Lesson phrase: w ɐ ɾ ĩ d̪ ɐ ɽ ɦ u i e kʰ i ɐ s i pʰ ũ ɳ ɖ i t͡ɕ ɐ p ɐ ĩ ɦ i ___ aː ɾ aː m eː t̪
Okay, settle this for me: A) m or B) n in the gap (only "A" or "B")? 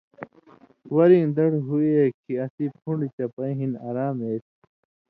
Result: B